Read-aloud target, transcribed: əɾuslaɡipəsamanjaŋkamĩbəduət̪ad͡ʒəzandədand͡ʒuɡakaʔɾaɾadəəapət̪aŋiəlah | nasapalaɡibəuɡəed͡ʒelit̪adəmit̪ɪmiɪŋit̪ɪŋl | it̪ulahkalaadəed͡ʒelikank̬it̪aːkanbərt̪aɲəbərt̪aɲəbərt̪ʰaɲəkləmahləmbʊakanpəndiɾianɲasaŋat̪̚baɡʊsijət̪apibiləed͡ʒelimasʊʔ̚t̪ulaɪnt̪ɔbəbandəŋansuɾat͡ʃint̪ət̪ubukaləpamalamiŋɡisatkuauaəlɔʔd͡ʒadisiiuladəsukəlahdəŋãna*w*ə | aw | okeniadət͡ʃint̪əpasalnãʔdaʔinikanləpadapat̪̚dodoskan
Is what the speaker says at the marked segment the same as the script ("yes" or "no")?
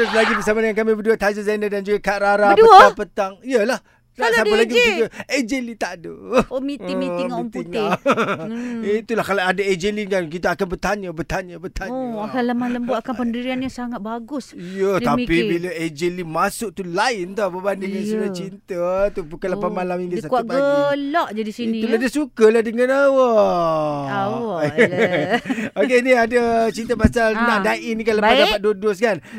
yes